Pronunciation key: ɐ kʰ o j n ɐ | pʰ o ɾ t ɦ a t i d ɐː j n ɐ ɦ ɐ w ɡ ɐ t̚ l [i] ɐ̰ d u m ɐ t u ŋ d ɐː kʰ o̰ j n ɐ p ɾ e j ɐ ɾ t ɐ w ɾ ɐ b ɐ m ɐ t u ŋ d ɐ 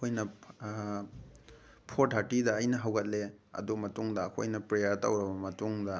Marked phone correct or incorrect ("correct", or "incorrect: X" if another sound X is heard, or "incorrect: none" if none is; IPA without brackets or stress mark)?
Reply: incorrect: e